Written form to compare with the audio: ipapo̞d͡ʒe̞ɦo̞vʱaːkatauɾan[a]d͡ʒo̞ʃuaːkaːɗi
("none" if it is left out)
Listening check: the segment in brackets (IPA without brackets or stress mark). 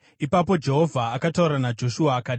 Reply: a